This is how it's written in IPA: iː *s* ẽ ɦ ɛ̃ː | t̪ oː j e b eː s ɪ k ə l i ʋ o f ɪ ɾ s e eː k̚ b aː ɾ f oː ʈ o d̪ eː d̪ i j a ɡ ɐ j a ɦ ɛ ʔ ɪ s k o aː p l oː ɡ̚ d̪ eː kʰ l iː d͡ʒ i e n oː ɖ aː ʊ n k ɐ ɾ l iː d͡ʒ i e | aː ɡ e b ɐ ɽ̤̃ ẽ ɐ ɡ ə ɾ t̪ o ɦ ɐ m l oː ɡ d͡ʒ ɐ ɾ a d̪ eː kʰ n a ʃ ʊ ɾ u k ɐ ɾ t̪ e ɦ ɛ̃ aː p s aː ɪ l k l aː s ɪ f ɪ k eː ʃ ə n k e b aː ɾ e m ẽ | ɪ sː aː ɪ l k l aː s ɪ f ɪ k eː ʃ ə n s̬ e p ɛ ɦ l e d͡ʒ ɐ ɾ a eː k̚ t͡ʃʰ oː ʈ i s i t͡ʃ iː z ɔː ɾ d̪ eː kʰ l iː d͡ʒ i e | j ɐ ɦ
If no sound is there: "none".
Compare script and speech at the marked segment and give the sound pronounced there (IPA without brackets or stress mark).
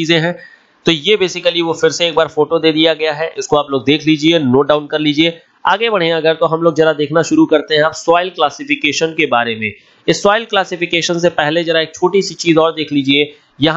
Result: z